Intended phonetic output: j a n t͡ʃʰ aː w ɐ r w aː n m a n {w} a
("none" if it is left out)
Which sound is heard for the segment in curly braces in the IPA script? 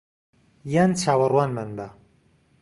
b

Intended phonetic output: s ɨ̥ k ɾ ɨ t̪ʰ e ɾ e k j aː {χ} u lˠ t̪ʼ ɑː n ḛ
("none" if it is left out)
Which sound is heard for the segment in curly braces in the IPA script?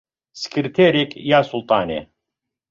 s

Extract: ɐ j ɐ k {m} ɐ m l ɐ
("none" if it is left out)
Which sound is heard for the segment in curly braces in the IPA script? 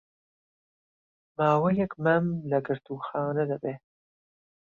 m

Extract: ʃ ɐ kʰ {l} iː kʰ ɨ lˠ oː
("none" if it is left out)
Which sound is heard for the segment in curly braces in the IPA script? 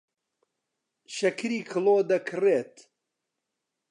ɾ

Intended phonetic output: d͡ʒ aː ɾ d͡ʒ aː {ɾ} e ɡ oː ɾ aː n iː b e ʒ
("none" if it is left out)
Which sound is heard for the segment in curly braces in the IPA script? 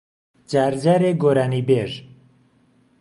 ɾ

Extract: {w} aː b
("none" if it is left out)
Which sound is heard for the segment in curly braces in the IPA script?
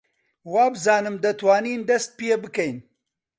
w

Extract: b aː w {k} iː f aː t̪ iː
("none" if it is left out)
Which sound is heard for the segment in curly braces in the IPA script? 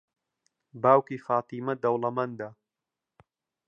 k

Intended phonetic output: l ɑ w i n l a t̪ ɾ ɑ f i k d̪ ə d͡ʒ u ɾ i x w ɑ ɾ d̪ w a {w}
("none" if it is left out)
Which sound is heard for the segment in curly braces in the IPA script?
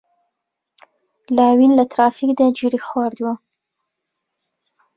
none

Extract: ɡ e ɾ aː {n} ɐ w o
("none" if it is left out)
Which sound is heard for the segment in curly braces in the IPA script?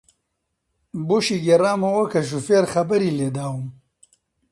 m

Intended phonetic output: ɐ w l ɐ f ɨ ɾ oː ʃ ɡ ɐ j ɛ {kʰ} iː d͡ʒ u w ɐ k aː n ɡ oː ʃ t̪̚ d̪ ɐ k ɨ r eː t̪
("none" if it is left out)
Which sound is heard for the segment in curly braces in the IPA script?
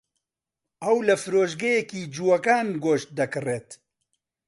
k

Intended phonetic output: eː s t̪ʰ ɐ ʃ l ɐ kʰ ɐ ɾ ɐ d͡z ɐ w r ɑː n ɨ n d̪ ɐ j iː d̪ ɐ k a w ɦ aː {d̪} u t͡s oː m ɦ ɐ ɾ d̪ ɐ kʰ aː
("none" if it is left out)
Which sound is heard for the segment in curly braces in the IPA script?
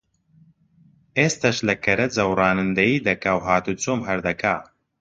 t̪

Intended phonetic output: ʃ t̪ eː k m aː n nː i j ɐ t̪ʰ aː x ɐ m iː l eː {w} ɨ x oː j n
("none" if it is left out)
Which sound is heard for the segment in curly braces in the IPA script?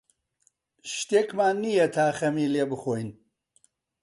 b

